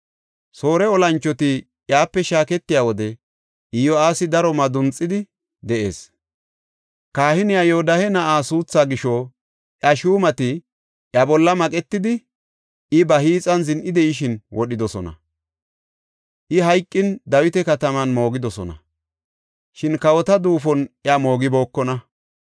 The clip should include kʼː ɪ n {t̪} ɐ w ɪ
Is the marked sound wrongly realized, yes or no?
yes